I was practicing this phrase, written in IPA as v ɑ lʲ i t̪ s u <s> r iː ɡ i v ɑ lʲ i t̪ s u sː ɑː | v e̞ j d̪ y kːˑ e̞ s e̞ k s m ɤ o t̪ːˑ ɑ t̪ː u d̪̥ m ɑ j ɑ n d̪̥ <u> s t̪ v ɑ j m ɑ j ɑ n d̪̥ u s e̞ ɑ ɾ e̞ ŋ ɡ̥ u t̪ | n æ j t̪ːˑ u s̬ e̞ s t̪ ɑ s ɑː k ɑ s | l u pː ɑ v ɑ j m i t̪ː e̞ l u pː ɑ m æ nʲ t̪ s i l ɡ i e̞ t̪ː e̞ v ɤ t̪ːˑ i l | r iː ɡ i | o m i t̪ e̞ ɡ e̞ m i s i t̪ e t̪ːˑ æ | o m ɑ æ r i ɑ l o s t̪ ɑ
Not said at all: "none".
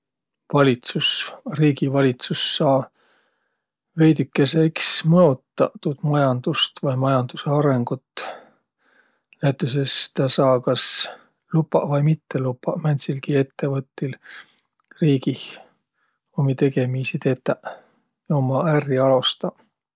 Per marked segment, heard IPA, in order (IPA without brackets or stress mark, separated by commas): s, u